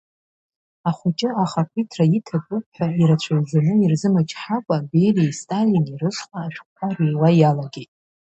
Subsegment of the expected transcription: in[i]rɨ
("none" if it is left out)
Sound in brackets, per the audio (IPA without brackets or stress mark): i